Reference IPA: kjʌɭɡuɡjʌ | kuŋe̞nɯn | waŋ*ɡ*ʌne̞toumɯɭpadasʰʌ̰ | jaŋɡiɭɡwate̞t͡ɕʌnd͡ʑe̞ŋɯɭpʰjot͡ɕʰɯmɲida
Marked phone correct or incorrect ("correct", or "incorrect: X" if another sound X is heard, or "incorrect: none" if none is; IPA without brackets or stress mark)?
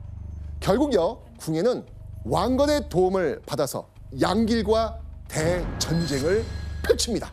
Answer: correct